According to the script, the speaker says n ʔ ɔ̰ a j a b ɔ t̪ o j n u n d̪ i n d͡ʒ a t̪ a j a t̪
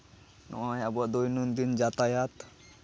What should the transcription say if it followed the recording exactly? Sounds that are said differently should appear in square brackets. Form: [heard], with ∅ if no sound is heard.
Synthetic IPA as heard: n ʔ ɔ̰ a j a b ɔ [d̪] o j n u n d̪ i n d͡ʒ a t̪ a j a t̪